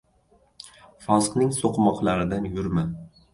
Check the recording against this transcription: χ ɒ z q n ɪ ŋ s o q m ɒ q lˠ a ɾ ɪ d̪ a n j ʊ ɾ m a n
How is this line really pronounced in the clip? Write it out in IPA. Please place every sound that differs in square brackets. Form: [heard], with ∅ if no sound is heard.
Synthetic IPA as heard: [f] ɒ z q n ɪ ŋ s o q m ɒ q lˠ a ɾ ɪ d̪ a n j ʊ ɾ m a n